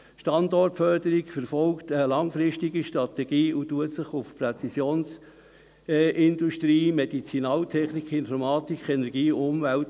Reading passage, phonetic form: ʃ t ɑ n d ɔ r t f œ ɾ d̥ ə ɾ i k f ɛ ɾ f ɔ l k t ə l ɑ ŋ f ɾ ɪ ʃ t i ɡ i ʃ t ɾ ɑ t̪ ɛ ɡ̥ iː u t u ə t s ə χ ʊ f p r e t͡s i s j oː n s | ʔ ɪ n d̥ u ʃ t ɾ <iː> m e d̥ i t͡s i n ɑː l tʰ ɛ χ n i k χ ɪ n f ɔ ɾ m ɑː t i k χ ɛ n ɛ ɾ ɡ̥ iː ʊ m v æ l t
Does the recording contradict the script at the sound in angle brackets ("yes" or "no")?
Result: no